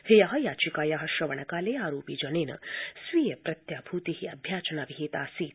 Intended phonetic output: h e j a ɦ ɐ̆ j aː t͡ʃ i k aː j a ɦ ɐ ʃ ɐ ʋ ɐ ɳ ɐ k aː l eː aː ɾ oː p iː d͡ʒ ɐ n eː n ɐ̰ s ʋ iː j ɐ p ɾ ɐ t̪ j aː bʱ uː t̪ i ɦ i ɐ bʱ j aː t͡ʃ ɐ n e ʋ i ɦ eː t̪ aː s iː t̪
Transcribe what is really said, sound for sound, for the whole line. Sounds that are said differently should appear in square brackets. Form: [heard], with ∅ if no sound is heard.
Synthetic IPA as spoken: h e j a ɦ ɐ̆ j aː t͡ʃ i k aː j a ɦ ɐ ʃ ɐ ʋ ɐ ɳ ɐ k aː l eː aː ɾ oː p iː d͡ʒ ɐ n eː n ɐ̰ s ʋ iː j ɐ p ɾ ɐ t̪ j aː bʱ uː t̪ i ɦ i ɐ bʱ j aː t͡ʃ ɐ n [a] ʋ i ɦ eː t̪ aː s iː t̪